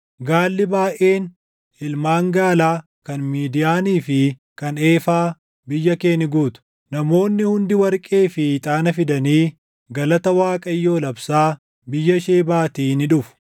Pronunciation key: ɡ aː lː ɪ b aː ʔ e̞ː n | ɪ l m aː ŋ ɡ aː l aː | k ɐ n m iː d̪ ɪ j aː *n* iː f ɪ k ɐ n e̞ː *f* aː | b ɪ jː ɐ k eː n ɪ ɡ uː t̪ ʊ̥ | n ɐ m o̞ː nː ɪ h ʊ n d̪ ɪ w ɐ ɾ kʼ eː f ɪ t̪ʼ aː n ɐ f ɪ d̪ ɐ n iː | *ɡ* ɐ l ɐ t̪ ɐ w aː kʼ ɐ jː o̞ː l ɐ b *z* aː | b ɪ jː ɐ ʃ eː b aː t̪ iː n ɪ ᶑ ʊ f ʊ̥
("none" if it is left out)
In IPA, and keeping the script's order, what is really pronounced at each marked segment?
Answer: n, f, ɡ, s

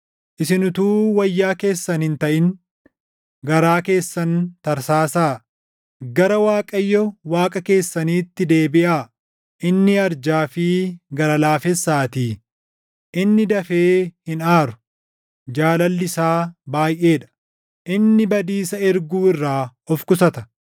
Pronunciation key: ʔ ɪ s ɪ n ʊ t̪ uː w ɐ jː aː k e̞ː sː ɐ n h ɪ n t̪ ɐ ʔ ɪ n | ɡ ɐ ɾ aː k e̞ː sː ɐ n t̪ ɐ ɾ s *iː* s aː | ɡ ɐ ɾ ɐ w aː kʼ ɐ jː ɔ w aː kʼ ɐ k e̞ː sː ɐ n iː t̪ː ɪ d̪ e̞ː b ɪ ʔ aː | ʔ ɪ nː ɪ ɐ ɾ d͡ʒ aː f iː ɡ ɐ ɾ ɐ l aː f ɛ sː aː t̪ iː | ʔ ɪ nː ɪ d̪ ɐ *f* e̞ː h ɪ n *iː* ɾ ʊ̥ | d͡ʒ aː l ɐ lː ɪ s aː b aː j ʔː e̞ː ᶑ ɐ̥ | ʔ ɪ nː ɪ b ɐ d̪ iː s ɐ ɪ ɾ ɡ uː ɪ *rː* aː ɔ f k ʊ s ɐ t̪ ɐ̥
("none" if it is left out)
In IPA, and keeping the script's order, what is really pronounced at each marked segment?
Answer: aː, f, aː, rː

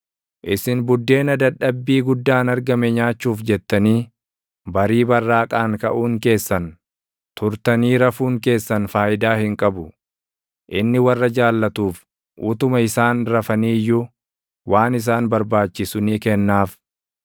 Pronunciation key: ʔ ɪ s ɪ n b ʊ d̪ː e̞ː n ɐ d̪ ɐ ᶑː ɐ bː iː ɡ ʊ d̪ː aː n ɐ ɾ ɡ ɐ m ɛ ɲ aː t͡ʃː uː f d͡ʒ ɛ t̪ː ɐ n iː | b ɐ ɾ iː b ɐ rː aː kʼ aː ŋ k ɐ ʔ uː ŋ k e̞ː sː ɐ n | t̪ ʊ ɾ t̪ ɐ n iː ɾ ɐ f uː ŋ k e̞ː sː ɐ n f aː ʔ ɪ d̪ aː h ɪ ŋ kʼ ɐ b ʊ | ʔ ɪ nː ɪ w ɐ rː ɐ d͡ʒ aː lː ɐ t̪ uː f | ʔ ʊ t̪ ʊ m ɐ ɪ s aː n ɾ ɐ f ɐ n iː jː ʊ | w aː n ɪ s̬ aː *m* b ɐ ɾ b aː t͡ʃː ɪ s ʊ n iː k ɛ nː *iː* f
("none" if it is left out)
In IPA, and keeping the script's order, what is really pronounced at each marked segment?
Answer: n, aː

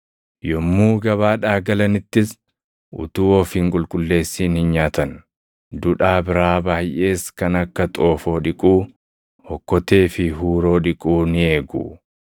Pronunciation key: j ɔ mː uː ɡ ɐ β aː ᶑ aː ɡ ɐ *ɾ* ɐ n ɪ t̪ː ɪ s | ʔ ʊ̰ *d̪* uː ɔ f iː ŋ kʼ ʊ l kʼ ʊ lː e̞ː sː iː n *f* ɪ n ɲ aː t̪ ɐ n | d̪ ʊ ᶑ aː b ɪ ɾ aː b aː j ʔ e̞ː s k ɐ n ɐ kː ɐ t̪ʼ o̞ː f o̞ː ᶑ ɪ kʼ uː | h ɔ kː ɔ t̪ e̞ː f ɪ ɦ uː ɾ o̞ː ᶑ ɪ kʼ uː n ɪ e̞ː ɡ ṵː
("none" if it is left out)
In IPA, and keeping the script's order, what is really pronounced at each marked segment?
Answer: l, t̪, h

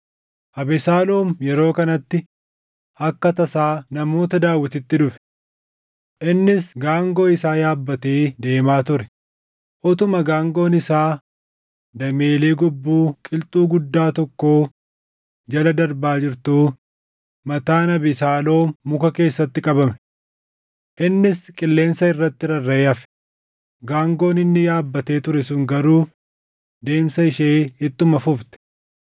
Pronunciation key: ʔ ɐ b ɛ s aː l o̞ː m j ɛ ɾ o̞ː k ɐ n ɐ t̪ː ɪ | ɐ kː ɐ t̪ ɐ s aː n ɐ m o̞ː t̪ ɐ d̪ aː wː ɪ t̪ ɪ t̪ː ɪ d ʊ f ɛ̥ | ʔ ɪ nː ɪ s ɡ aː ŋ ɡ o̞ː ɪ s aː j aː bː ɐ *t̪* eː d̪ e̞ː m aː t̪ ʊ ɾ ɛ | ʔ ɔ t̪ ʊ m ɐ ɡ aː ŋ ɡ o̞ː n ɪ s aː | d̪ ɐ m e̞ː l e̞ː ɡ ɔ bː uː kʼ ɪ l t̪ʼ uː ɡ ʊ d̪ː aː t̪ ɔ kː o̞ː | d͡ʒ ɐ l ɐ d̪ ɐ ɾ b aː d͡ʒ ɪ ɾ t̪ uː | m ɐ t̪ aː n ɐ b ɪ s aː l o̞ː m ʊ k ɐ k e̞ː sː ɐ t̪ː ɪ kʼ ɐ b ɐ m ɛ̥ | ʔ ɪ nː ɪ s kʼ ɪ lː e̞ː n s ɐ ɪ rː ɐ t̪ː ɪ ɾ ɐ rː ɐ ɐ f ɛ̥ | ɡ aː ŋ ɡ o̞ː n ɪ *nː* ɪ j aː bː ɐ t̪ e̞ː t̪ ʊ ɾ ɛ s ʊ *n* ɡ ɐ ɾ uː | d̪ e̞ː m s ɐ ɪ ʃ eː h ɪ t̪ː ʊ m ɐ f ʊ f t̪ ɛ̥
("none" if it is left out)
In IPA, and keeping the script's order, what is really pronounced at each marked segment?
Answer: t̪, nː, ŋ

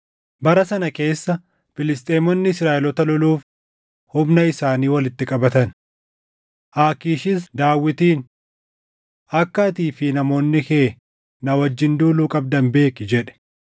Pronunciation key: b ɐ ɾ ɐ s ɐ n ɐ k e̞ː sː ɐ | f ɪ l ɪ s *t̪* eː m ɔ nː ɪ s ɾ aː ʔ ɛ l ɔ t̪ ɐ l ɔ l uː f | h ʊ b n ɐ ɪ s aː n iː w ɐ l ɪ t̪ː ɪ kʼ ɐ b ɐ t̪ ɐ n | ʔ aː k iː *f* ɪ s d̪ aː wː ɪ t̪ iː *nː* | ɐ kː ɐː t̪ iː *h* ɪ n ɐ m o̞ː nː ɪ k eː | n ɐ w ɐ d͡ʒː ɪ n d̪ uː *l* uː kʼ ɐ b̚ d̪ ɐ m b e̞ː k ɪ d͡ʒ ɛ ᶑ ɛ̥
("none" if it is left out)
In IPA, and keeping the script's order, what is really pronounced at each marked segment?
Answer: t̪ʼ, ʃ, n, f, l

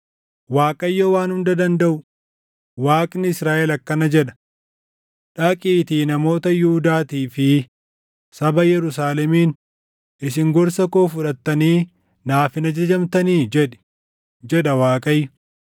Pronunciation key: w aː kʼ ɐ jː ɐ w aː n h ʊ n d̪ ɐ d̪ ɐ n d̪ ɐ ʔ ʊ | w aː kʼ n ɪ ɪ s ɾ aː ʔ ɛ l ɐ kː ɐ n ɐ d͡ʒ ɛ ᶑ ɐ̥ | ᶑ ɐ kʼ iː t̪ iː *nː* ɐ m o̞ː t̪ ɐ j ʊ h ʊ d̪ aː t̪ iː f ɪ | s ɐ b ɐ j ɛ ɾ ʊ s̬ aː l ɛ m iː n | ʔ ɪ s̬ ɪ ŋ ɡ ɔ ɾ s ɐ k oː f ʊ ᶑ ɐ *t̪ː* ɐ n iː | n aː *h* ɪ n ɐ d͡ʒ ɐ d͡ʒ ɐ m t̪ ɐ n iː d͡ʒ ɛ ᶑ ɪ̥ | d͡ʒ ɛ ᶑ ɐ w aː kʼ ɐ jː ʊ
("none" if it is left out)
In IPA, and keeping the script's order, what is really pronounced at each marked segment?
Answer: n, t̪ː, f

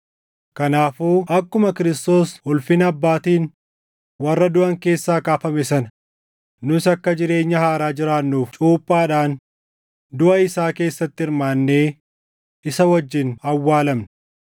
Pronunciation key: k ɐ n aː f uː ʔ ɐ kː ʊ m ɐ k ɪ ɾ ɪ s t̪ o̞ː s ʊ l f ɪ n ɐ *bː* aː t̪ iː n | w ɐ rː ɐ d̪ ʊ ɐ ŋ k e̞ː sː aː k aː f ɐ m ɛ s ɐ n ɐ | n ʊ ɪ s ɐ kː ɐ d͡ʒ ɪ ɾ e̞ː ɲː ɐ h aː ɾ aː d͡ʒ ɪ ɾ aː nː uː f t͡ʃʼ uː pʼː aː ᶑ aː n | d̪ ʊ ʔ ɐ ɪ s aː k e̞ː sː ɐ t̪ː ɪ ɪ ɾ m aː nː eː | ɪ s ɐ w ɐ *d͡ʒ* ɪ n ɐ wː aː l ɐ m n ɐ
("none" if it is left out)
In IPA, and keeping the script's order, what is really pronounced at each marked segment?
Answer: bː, d͡ʒː

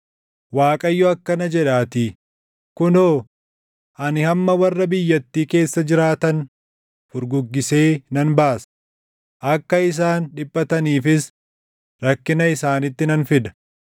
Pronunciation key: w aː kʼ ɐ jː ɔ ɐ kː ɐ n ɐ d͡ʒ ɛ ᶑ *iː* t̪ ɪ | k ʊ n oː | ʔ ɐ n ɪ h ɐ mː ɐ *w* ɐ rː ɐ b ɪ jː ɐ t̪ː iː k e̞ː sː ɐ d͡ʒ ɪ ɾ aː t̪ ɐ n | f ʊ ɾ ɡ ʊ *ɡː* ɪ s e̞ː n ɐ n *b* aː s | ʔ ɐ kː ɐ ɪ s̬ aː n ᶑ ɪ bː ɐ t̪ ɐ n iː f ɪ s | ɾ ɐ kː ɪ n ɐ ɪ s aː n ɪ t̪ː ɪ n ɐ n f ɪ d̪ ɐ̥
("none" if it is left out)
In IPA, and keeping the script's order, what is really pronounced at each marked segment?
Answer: aː, w, ɡː, b

